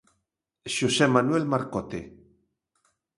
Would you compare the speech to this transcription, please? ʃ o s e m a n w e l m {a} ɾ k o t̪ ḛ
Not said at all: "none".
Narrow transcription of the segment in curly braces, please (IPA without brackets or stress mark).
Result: a